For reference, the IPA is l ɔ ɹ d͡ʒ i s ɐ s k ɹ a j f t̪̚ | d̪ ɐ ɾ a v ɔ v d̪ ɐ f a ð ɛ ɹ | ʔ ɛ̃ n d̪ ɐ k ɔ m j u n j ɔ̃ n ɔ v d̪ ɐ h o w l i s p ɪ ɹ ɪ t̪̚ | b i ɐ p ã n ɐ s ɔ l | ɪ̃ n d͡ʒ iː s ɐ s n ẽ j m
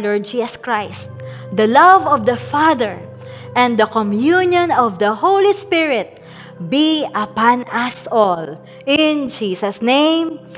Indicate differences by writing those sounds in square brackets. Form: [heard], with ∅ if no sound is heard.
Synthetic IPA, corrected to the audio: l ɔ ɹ d͡ʒ i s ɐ s k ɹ a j [s] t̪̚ | d̪ ɐ [l] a v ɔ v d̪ ɐ f a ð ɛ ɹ | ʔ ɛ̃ n d̪ ɐ k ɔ m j u n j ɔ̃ n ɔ v d̪ ɐ h o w l i s p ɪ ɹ ɪ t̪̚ | b i ɐ p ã n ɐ s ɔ l | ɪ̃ n d͡ʒ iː s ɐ s n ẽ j m